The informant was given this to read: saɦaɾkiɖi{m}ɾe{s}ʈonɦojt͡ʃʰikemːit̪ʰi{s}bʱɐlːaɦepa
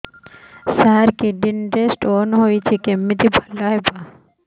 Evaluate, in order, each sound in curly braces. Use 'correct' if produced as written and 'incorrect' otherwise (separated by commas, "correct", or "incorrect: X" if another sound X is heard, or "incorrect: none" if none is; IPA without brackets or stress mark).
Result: incorrect: n, correct, incorrect: none